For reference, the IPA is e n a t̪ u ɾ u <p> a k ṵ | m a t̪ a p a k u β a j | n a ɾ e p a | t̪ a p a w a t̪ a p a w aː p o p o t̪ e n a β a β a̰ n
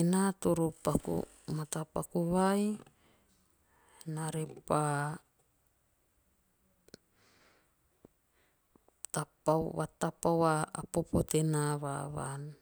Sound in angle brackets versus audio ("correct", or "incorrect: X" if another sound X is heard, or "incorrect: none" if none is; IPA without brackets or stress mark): correct